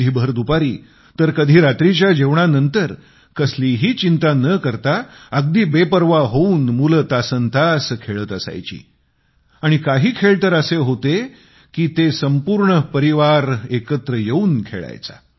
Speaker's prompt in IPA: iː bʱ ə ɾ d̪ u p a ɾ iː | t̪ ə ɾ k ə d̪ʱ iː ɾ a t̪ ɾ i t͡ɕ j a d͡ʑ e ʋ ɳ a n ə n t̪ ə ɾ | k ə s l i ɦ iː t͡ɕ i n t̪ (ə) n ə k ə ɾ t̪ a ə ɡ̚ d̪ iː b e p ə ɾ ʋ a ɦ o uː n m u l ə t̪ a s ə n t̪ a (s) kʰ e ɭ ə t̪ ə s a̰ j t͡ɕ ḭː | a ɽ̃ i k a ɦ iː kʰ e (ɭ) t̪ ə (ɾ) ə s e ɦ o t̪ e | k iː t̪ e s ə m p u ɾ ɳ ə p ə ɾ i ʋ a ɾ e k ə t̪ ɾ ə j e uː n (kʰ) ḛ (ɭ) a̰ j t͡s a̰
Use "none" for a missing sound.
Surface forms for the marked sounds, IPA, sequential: a, s, ɭ, ɾ, kʰ, ɭ

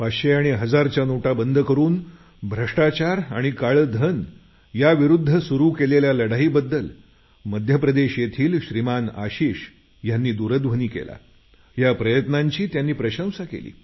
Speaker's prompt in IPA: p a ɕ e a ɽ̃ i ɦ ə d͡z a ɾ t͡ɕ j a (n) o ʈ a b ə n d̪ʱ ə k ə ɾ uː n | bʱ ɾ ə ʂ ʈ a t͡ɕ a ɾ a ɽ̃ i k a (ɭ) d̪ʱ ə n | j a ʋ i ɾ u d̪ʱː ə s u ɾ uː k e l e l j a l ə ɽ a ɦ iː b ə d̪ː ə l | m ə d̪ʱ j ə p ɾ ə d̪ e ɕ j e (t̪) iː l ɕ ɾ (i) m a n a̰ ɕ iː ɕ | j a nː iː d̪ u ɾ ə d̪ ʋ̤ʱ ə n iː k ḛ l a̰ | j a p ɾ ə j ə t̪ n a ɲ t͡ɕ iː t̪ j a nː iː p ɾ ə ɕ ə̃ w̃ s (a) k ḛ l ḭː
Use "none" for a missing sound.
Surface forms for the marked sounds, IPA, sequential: n, ɭ, t̪ʰ, i, a

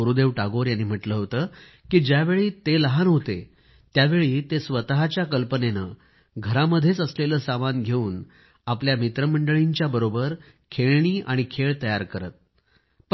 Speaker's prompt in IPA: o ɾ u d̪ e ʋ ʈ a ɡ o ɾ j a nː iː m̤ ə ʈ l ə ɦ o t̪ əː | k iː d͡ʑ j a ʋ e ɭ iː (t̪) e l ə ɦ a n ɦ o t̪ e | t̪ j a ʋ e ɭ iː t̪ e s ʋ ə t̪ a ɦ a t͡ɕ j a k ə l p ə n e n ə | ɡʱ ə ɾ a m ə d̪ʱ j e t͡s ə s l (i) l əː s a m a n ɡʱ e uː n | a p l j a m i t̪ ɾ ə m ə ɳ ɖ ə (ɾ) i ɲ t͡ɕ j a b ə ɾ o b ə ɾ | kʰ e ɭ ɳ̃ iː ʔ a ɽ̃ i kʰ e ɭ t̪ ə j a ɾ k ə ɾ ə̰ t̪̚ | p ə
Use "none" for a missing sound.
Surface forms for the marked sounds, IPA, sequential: t̪, e, ɭ

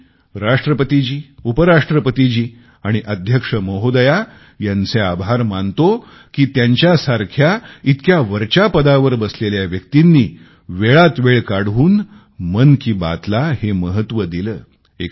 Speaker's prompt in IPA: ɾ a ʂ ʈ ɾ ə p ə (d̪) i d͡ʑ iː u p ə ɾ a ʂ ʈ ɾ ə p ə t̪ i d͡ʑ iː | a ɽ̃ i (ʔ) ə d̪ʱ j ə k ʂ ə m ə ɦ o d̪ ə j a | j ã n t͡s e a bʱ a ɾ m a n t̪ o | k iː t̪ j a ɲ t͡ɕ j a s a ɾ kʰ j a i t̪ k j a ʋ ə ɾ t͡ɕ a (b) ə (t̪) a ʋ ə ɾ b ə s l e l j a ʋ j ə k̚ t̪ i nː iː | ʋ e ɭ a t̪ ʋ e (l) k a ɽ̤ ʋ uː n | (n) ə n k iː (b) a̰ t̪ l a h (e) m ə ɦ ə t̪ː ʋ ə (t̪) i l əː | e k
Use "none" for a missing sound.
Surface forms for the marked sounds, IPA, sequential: t̪, ʔ, p, d̪, ɭ, m, b, e, d̪

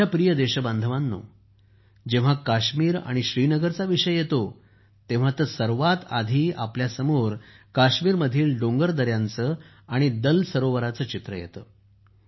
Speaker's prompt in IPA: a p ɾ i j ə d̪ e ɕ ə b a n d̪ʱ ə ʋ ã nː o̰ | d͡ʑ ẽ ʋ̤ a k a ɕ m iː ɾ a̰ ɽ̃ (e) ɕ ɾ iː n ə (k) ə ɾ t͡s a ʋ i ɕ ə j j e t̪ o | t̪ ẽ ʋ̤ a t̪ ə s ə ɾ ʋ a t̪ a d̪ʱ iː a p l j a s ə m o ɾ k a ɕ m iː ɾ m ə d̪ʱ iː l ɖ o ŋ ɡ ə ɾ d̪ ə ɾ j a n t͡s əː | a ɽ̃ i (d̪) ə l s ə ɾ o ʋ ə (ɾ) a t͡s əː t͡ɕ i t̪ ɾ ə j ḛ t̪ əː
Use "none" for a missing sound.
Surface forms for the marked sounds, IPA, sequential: i, ɡ, d̪, ɾ

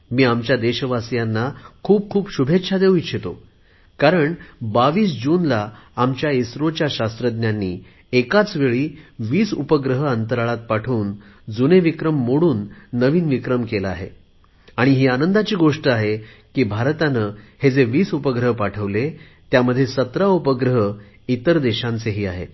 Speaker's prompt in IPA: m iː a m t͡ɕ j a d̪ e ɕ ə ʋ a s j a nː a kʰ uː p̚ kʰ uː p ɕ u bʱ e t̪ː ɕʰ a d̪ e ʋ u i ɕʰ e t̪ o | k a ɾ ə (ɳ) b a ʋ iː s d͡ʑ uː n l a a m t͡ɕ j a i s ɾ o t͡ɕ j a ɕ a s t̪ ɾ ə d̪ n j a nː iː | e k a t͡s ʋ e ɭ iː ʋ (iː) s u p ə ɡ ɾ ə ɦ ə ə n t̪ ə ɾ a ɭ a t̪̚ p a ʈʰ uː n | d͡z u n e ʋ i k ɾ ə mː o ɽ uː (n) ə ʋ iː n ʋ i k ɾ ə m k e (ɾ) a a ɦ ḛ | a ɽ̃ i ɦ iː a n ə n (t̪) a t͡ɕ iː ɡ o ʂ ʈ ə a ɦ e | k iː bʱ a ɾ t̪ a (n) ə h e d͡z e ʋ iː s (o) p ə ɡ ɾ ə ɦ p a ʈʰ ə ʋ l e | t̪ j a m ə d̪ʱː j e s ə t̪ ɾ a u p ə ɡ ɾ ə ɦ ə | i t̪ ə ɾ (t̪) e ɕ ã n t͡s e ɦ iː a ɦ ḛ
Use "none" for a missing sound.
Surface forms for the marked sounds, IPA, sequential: ɳ, iː, nː, l, d̪, n, u, d̪

